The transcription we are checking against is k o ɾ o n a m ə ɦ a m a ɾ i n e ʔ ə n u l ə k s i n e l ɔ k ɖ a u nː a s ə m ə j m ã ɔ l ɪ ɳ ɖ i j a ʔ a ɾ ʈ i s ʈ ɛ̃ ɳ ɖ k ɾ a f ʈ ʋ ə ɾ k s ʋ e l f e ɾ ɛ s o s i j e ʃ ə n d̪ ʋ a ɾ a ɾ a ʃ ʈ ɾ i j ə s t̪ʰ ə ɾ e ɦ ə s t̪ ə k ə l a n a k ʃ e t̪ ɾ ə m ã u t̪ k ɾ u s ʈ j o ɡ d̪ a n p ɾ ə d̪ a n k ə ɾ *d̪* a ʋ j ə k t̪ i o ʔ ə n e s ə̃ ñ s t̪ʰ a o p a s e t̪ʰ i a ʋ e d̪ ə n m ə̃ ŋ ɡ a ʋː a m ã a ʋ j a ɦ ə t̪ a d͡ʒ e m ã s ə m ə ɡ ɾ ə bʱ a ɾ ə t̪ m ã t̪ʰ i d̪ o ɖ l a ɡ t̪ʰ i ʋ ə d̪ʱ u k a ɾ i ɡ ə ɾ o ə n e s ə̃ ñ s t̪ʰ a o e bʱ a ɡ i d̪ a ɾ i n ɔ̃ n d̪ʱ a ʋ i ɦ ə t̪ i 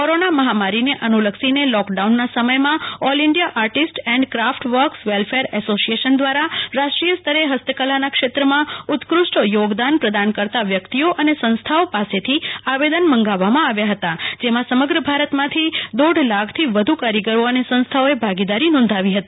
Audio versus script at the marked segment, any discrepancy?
yes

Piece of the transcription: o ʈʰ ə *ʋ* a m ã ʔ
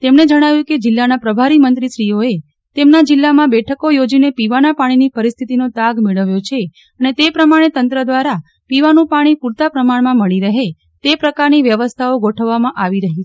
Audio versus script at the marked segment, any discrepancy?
yes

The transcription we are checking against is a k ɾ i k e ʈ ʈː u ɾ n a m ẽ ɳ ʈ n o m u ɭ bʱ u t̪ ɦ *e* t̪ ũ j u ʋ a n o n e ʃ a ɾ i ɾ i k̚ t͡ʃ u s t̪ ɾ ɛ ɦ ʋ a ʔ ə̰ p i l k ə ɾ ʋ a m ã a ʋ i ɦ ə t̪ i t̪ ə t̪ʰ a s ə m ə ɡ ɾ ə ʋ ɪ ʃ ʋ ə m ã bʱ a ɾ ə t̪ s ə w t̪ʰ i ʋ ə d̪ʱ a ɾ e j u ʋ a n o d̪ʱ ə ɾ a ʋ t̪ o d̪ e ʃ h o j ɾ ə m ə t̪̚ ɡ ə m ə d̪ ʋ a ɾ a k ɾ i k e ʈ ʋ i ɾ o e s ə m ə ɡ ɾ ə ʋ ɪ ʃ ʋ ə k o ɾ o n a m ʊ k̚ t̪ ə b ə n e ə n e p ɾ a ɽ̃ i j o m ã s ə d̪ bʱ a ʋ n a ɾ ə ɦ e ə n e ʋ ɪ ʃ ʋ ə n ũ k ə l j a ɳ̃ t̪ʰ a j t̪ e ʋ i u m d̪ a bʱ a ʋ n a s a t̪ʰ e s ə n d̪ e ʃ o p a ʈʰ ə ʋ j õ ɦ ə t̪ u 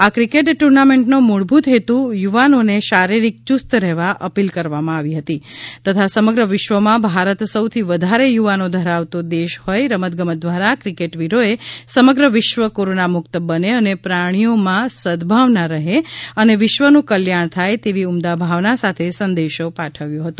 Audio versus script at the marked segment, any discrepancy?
no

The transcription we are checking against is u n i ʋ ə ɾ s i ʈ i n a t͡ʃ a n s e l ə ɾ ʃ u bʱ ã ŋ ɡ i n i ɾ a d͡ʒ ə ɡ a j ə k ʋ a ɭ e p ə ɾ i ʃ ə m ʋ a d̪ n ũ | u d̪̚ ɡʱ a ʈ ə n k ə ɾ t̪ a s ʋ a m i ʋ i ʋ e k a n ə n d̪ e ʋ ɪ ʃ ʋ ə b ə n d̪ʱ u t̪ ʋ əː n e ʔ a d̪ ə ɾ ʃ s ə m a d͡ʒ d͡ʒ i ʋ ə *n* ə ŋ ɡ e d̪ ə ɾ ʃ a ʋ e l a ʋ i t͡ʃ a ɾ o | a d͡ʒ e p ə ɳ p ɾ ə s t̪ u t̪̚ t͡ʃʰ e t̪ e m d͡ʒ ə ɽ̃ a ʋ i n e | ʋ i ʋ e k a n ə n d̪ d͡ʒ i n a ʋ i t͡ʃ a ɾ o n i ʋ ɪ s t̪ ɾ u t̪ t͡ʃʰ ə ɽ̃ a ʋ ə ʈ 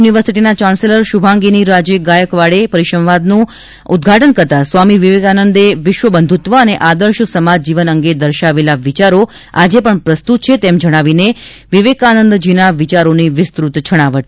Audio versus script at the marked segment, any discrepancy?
no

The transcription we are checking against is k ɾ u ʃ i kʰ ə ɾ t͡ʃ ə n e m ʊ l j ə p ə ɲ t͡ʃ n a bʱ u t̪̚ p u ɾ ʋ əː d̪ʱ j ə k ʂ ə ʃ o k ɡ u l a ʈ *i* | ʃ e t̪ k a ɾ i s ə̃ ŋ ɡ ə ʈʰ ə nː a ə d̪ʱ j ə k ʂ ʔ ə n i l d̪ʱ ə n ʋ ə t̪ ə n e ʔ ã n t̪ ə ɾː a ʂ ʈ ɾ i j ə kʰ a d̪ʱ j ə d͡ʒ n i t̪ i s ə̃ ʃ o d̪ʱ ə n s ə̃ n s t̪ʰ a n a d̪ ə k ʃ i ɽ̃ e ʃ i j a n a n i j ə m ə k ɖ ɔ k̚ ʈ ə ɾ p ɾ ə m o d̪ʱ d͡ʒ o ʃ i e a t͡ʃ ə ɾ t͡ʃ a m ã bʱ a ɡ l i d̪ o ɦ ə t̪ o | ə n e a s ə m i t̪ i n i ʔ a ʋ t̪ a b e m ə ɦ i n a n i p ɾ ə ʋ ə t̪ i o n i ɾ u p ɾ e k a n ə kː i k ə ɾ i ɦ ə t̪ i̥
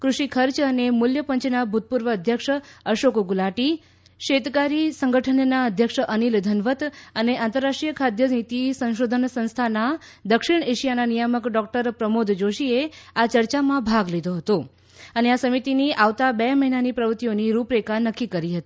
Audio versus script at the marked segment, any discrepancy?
no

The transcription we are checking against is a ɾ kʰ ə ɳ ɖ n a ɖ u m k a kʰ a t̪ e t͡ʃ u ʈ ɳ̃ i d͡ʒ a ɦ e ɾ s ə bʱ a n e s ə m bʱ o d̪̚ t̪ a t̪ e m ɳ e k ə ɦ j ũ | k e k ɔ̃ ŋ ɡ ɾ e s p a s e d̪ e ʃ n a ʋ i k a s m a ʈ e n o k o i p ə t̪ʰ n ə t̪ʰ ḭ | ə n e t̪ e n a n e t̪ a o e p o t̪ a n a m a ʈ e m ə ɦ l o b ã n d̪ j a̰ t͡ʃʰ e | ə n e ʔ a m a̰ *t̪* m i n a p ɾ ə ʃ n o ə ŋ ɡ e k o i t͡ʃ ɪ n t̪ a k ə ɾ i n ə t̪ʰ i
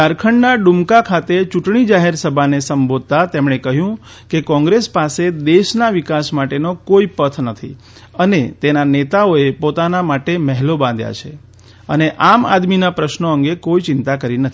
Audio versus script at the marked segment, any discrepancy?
yes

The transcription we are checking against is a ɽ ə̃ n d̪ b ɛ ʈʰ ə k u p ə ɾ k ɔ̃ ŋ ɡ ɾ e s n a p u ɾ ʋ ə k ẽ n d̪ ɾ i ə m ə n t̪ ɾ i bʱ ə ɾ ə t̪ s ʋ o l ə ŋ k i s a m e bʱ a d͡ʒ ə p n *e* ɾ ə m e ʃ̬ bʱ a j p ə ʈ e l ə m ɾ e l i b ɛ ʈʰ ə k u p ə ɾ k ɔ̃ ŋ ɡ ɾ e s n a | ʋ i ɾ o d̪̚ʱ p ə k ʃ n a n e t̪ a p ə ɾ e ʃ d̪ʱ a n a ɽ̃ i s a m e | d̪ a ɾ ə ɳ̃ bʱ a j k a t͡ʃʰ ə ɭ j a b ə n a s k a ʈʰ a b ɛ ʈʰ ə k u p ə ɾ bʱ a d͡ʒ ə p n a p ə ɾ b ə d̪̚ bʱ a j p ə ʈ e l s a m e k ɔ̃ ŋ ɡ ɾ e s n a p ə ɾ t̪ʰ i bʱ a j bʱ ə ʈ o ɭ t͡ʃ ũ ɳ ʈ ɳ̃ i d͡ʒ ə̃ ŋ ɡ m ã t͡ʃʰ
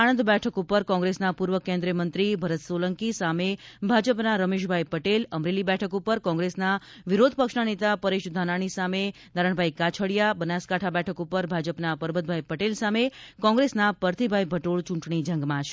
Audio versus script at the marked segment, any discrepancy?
yes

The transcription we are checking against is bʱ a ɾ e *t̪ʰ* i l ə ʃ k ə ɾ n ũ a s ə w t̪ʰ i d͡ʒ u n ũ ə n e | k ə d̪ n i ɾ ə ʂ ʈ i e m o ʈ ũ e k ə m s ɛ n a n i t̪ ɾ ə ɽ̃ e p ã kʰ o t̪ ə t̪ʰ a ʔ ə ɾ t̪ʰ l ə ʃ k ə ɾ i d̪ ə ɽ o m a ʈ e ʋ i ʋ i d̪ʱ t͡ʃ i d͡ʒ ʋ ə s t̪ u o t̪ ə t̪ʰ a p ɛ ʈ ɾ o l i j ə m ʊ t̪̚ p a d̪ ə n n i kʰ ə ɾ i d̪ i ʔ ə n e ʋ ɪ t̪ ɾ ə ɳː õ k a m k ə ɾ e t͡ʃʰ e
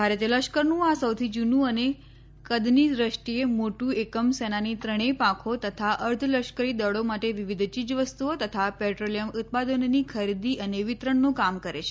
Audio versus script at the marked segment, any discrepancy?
yes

